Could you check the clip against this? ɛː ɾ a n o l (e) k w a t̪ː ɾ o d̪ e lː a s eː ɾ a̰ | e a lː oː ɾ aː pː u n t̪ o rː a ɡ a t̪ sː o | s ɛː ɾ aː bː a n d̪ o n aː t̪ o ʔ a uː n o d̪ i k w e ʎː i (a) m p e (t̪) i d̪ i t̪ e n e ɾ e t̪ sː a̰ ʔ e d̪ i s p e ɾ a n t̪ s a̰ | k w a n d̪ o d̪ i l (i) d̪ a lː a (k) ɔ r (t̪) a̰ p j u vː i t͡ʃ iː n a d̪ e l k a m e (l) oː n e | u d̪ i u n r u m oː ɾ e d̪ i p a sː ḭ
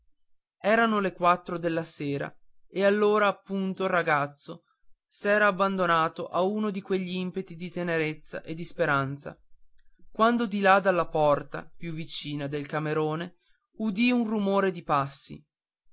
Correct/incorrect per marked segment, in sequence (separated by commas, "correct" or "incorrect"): correct, incorrect, correct, incorrect, incorrect, correct, incorrect